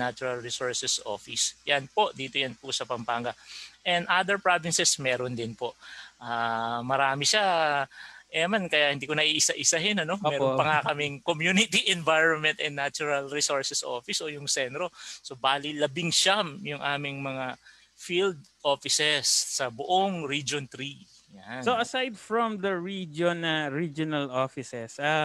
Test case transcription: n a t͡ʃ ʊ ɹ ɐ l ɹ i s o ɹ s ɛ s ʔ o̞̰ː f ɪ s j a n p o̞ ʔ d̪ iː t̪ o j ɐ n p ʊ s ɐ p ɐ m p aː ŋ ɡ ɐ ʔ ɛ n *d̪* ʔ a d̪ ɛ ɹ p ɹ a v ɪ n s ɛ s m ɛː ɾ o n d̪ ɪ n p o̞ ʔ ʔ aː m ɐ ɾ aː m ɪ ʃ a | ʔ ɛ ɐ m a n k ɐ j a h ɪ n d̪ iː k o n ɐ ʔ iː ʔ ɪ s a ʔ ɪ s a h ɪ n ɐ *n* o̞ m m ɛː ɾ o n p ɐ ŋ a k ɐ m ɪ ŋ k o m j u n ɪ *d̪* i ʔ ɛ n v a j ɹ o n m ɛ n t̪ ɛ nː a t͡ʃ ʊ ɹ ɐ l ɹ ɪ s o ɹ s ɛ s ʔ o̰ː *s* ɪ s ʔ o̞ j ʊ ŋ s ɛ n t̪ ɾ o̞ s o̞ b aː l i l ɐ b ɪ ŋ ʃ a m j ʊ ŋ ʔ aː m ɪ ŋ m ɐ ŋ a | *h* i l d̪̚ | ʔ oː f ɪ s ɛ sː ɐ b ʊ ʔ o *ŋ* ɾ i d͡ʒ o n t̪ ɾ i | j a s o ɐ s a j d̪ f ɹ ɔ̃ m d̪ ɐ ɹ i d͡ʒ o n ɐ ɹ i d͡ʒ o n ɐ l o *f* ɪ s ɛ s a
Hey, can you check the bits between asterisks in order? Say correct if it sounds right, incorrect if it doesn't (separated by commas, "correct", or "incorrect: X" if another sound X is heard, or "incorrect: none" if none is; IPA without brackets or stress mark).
correct, correct, incorrect: t̪, incorrect: f, incorrect: f, correct, correct